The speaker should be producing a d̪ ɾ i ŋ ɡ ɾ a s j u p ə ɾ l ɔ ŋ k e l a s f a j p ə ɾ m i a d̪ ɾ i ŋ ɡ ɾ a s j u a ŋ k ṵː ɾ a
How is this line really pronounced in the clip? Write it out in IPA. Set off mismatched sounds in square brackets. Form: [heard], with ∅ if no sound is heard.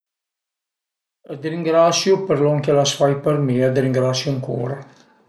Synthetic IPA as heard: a d̪ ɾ i ŋ ɡ ɾ a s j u p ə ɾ l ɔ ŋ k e l a s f a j p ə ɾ m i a d̪ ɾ i ŋ ɡ ɾ a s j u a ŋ k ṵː ɾ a